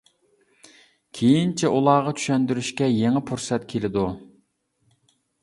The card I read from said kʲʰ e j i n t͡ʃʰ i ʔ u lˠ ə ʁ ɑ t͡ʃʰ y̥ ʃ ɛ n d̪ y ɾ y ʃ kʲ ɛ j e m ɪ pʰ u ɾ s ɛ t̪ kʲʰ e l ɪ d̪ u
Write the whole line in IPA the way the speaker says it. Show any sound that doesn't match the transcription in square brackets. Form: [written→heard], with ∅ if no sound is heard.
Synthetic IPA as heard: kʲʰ e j i n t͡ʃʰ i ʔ u lˠ [ə→ɑ] ʁ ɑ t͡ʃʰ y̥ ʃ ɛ n d̪ y ɾ y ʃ kʲ ɛ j e [m→ŋ] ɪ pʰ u ɾ s ɛ t̪ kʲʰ e l ɪ d̪ u